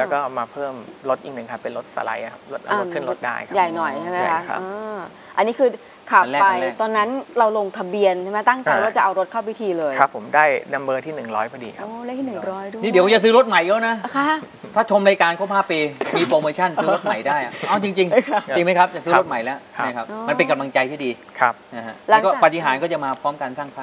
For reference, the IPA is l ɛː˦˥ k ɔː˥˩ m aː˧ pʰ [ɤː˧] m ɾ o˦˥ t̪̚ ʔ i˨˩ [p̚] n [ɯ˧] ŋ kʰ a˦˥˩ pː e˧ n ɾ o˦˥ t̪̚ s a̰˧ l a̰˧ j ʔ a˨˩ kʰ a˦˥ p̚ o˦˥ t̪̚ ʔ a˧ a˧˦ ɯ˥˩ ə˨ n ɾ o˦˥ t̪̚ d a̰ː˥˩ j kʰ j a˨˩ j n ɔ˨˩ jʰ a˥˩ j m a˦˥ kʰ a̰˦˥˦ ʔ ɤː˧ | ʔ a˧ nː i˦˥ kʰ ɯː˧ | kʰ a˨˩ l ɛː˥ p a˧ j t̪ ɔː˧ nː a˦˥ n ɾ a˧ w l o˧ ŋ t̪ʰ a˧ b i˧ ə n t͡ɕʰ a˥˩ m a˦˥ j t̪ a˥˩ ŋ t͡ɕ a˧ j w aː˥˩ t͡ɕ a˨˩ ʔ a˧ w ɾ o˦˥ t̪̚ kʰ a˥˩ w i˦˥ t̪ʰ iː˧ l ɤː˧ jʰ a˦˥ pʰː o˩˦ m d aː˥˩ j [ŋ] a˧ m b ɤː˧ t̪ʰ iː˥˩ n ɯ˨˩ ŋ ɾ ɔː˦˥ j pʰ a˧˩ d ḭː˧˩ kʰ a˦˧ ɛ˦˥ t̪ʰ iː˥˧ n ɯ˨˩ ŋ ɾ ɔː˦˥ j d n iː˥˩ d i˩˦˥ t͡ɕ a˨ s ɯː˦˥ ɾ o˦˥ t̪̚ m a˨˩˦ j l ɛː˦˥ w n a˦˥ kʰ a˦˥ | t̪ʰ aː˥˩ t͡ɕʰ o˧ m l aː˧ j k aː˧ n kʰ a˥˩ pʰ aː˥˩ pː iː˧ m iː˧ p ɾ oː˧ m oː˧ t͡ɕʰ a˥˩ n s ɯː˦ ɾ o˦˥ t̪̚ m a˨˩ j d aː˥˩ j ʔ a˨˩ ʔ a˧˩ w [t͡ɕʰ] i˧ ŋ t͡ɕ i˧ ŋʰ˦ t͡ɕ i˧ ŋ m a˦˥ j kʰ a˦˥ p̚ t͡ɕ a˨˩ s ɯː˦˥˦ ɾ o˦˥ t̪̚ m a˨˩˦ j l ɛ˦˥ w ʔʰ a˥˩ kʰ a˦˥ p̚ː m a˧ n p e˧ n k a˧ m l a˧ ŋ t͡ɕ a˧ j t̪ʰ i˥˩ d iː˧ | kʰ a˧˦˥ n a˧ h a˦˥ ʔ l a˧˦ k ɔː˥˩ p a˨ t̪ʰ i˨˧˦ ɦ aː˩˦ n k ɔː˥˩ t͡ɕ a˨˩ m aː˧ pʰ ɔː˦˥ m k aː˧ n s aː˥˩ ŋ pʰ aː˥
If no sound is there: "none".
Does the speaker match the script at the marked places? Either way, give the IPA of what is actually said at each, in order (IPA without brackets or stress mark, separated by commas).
ɤː˥˩, k̚, ɯ˨˩, n, t͡ɕ